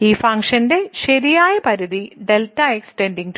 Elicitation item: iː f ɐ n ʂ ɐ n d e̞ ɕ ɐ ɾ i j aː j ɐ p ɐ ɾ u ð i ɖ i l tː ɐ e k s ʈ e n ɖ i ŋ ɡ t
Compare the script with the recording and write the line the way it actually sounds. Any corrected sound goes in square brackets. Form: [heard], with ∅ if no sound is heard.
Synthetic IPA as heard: iː f ɐ [ŋ] ʂ ɐ n d e̞ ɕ ɐ ɾ i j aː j ɐ p ɐ ɾ u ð i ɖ [e] l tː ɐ e k s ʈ e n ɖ i ŋ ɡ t